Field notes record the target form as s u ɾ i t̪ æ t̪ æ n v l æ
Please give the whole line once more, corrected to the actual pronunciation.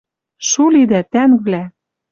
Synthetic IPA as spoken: ʃ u l i d̪ æ t̪ æ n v l æ

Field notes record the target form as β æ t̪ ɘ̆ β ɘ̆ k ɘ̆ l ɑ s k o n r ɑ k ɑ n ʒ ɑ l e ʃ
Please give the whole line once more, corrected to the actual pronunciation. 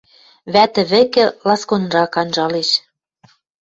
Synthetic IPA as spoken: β æ t̪ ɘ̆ β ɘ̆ k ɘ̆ l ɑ s k o n r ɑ k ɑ n ʒ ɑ l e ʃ

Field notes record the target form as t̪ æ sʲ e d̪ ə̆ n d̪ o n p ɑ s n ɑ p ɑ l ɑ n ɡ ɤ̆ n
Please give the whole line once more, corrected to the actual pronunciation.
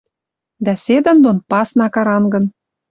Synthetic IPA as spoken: d̪ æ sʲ e d̪ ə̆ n d̪ o n p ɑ s n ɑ k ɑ ɾ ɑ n ɡ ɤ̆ n

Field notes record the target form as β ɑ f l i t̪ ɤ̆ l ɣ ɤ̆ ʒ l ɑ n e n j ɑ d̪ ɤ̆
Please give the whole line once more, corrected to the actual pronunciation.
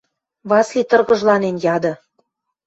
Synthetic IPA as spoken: β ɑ s l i t̪ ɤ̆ r ɣ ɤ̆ ʒ l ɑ n e n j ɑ d̪ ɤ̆

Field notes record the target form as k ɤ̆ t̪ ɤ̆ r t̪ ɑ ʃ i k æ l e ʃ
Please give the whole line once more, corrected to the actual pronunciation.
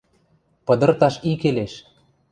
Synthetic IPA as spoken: p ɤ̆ d̪ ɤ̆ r t̪ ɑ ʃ i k e l e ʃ

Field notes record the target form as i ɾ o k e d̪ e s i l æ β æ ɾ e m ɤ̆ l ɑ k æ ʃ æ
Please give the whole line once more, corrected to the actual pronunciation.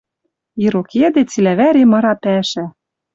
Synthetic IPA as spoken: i ɾ o k e d̪ e t͡s i l æ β æ ɾ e m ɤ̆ ɾ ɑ p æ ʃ æ

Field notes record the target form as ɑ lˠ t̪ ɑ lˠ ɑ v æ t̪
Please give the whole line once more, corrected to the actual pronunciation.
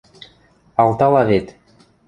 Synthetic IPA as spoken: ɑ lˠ t̪ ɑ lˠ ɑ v e t̪

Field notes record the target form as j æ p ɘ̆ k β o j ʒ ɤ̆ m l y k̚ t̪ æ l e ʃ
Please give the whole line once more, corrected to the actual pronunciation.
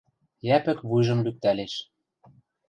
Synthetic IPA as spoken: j æ p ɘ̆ k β u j ʒ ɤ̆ m l y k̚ t̪ æ l e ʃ

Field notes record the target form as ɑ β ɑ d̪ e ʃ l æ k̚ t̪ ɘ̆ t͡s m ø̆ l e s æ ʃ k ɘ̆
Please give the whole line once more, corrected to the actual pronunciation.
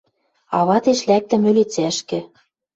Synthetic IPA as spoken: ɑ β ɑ t̪ e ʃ l æ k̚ t̪ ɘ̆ m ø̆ l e t͡s æ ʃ k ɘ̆

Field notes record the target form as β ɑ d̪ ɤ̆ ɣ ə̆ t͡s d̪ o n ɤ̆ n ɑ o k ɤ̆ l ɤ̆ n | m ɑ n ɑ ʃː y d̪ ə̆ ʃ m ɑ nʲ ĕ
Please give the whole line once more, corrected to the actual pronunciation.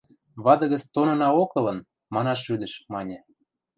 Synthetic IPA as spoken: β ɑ d̪ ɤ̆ ɣ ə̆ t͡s t̪ o n ɤ̆ n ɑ o k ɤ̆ l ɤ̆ n | m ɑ n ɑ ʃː y d̪ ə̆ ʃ m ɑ nʲ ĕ

